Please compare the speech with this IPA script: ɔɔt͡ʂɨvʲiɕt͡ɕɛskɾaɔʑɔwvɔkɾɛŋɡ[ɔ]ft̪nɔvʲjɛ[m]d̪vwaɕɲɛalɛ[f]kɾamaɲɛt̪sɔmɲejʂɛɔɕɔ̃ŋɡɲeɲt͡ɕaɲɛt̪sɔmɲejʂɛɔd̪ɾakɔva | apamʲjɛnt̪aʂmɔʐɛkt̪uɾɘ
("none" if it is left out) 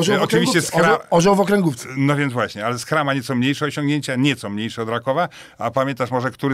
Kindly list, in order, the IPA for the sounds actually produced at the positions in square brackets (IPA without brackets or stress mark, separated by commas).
u, n, s